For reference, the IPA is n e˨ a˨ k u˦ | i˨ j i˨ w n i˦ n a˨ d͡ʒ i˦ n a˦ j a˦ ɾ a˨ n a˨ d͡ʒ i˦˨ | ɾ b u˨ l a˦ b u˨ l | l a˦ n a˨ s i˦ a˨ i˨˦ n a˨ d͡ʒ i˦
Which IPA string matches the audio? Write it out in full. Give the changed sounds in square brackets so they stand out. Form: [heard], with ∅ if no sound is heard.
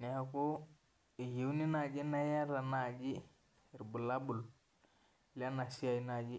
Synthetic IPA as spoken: n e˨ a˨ k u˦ | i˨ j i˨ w n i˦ n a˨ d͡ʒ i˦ n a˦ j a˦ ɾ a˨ n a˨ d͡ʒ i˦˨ | ɾ b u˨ l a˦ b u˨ l | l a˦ n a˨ s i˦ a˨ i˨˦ n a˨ d͡ʒ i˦